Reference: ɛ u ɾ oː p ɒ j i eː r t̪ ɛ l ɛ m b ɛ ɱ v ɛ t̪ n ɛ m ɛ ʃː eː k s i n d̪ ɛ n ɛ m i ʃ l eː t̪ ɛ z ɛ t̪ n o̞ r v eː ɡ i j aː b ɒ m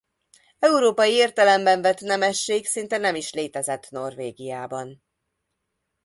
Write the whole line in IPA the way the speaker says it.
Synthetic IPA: ɛ u ɾ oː p ɒ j i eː r t̪ ɛ l ɛ m b ɛ ɱ v ɛ t̪ n ɛ m ɛ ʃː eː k s i n t̪ ɛ n ɛ m i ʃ l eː t̪ ɛ z ɛ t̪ n o̞ r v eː ɡ i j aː b ɒ n